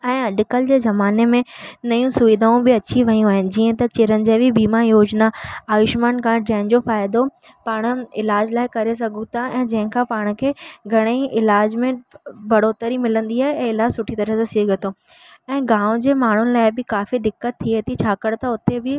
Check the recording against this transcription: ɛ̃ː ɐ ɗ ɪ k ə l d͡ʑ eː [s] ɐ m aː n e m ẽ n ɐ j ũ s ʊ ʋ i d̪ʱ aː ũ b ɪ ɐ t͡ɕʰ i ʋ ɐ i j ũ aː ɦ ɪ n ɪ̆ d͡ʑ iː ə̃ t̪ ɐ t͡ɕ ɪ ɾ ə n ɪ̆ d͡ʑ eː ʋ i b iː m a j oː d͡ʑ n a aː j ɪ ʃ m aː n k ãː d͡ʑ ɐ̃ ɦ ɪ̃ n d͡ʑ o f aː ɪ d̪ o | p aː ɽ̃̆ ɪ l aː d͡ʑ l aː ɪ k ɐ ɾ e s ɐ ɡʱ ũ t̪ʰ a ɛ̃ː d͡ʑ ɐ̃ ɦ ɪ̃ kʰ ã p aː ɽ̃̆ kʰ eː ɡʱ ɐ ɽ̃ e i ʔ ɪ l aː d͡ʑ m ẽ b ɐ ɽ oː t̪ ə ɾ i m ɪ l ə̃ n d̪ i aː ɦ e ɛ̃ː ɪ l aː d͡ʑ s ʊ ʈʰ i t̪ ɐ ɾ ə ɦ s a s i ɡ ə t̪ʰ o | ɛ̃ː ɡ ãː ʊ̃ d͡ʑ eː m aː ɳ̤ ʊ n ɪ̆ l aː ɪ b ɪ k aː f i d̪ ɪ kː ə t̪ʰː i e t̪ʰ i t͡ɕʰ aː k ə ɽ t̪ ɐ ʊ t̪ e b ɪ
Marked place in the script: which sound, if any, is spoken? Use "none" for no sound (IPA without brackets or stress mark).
z